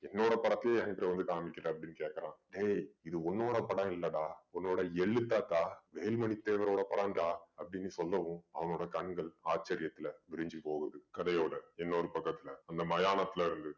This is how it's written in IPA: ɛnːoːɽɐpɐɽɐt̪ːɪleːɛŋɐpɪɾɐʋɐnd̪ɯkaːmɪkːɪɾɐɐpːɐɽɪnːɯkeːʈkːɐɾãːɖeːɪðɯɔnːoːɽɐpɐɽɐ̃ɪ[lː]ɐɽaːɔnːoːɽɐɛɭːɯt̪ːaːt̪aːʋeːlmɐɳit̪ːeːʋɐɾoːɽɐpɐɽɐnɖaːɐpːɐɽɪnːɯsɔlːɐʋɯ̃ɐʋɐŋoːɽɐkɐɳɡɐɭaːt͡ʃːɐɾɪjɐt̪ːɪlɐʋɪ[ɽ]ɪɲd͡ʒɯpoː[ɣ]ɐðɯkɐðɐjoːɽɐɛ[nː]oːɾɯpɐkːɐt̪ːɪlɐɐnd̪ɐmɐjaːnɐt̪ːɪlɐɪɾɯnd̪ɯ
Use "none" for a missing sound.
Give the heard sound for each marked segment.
lː, ɾ, ɣ, nː

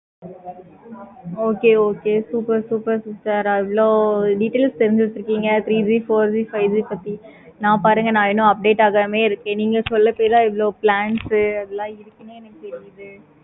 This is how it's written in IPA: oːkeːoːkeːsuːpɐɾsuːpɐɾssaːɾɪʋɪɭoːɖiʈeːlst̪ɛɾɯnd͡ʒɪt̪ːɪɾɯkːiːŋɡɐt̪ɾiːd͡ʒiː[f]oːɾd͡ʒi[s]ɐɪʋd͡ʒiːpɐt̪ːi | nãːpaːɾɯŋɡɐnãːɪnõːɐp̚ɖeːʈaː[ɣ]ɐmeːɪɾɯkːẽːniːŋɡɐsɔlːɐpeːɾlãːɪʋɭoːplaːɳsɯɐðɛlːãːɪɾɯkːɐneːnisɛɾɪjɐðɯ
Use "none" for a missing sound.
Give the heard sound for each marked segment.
f, f, ɣ

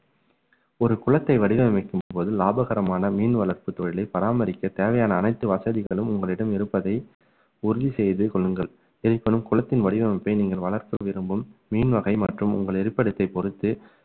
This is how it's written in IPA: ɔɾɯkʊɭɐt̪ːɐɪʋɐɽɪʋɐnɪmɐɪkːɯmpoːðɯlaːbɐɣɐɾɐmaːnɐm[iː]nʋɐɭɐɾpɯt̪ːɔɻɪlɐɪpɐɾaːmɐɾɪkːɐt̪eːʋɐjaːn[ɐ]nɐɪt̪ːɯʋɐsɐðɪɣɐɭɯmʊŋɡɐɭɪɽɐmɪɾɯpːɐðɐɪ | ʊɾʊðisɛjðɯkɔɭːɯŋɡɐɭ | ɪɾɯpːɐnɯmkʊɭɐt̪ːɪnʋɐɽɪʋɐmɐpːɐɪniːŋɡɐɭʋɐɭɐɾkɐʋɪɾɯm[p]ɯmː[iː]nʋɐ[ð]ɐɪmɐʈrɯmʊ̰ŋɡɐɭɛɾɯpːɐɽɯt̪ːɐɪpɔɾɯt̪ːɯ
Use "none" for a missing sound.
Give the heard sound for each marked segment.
iː, ɐː, b, iː, ɣ

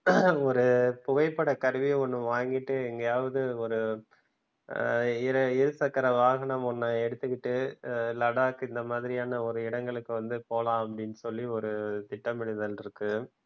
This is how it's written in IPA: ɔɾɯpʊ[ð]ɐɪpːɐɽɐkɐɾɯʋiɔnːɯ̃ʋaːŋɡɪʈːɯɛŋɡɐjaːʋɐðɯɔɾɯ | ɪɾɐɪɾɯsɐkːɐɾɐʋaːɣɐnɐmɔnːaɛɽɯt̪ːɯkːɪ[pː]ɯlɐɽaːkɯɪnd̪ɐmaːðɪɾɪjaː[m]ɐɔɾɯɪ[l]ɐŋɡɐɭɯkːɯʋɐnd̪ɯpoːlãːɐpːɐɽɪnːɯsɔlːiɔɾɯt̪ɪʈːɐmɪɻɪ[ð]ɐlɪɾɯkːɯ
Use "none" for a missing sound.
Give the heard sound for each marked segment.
ɣ, ʈː, n, ɽ, ð

